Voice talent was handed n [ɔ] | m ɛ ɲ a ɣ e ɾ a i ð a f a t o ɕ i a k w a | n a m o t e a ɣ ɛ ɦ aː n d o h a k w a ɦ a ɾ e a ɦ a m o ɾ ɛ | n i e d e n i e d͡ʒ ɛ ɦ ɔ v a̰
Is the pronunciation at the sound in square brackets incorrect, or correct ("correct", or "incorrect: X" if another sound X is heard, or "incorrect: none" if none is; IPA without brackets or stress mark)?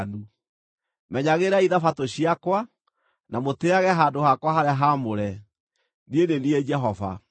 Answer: incorrect: u